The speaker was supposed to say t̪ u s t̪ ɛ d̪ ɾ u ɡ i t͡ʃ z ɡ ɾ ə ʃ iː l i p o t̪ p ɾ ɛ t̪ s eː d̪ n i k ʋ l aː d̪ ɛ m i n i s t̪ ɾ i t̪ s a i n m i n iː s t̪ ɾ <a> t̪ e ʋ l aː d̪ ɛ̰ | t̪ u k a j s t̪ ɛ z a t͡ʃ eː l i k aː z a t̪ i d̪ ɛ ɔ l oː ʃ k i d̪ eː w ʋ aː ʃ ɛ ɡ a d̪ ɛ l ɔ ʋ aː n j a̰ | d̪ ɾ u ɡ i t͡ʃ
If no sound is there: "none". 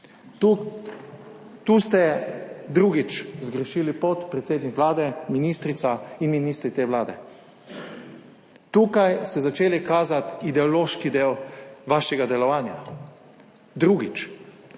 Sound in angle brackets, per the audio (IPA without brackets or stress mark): i